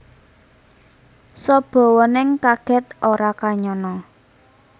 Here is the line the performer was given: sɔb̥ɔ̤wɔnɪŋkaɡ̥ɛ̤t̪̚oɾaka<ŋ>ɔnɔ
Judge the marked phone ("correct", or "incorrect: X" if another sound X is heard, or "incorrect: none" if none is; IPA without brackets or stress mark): incorrect: ɲ